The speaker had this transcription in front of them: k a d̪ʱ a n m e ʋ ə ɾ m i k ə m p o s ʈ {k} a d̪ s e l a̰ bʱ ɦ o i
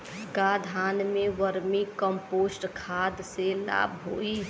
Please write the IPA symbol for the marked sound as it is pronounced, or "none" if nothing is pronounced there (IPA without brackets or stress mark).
kʰ